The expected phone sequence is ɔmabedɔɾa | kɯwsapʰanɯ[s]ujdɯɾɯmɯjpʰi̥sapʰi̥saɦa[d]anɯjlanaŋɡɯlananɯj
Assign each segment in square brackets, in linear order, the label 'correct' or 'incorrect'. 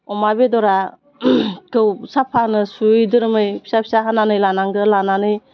correct, incorrect

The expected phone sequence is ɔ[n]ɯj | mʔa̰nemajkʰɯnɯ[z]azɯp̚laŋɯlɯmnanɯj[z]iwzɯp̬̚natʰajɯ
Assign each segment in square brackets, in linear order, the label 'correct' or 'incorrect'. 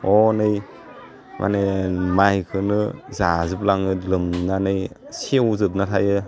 correct, correct, incorrect

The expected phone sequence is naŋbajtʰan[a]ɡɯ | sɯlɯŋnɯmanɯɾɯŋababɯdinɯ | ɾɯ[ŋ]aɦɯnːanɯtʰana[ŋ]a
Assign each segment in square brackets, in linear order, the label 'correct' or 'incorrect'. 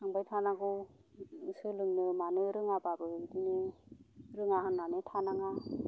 correct, correct, correct

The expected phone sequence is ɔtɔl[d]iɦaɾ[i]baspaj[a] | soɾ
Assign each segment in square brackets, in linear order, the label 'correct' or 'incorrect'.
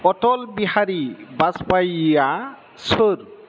incorrect, correct, correct

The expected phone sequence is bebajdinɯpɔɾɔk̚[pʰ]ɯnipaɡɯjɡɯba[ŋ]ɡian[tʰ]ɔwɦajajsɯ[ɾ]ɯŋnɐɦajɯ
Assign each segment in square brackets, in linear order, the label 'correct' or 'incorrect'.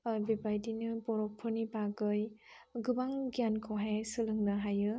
correct, correct, incorrect, incorrect

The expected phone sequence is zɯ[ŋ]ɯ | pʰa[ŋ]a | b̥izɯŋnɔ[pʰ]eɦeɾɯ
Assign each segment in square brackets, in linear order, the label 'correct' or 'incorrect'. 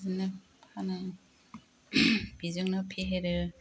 incorrect, incorrect, correct

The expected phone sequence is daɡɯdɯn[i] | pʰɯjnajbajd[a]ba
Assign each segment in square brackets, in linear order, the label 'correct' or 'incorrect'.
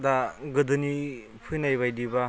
correct, incorrect

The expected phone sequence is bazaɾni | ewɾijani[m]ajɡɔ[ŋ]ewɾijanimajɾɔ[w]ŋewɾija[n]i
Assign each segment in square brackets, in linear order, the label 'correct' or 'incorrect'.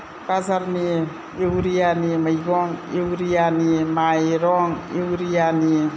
correct, correct, incorrect, correct

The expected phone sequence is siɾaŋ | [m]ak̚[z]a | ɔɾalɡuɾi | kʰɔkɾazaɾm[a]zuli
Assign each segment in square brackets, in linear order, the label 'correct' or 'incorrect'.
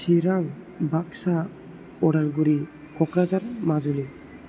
incorrect, incorrect, correct

